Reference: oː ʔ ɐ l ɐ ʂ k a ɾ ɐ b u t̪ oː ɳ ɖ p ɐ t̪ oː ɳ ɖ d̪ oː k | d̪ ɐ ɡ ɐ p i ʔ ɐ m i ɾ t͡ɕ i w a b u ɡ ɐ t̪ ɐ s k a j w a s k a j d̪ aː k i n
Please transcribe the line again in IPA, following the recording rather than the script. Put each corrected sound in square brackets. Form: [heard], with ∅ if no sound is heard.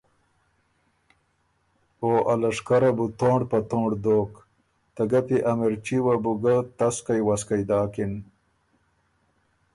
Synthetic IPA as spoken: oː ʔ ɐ l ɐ ʂ k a ɾ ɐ b u t̪ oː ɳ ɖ p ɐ t̪ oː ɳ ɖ d̪ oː k | [t̪] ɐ ɡ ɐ p i ʔ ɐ m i ɾ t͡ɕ i w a b u ɡ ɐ t̪ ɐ s k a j w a s k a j d̪ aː k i n

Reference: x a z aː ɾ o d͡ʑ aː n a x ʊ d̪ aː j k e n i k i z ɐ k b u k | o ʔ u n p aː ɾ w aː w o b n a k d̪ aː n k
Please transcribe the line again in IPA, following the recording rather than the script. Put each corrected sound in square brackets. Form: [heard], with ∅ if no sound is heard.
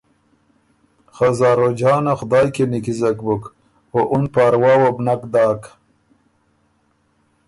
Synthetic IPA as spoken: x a z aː ɾ o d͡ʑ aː n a x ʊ d̪ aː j k e n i k i z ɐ k b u k | o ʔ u n p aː ɾ w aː w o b n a k d̪ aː [∅] k

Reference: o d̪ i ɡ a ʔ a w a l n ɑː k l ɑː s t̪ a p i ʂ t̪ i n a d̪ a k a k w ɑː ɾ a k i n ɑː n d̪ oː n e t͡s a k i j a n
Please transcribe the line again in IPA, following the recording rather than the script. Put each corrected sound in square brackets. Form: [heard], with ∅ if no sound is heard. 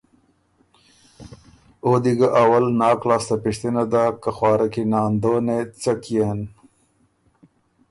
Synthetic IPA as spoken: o d̪ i ɡ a ʔ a w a l n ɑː k l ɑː s t̪ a p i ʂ t̪ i n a d̪ a k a [x] w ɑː ɾ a k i n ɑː n d̪ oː n e t͡s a k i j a n

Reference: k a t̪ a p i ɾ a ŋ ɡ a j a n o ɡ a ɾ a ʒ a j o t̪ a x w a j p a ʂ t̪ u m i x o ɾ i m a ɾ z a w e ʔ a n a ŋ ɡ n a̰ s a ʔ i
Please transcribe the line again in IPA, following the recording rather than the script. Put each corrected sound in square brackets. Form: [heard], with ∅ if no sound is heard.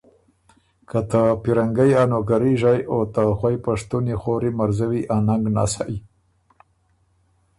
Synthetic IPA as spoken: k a t̪ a p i ɾ a ŋ ɡ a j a n o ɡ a ɾ [i] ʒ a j o t̪ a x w a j p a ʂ t̪ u [n] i x o ɾ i m a ɾ z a w [i] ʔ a n a ŋ ɡ n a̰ s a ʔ i

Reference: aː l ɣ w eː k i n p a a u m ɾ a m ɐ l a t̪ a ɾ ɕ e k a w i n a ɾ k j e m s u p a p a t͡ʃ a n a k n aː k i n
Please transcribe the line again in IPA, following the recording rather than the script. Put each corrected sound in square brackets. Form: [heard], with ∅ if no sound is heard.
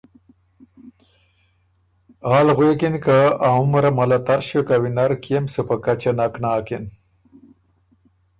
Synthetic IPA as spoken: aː l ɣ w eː k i n [k] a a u m ɾ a m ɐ l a t̪ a ɾ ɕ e k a w i n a ɾ k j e m s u p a [k] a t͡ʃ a n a k n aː k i n

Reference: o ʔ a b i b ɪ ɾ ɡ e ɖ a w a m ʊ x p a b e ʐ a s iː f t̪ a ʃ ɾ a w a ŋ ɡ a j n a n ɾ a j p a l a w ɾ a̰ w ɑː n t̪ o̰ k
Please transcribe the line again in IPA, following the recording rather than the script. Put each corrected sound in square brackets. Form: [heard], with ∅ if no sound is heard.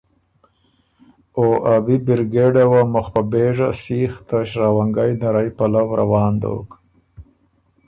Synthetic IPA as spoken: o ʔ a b i b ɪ ɾ ɡ e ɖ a w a m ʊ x p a b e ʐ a s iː [x] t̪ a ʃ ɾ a w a ŋ ɡ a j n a [∅] ɾ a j p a l a w ɾ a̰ w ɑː n [d̪] o̰ k

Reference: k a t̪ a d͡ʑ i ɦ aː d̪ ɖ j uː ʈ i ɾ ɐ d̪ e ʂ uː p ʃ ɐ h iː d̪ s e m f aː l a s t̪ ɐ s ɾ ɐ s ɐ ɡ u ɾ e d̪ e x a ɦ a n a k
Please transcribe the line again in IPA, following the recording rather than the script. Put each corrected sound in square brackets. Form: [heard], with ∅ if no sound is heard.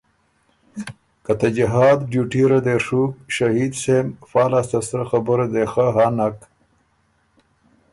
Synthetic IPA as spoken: k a t̪ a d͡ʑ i ɦ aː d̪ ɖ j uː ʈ i ɾ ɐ d̪ e ʂ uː [k] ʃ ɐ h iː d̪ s e m f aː l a s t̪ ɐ s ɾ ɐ [x] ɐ [b] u ɾ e d̪ e x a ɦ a n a k

